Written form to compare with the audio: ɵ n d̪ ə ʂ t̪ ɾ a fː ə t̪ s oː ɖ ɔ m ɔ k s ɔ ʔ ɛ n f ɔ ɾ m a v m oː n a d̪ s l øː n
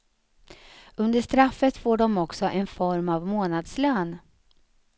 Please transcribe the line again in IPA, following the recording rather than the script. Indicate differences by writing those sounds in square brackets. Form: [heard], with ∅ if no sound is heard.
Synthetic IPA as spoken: ɵ n d̪ ə ʂ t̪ ɾ a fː ə t̪ [f] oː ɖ ɔ m ɔ k s ɔ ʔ ɛ n f ɔ ɾ m a v m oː n a d̪ s l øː n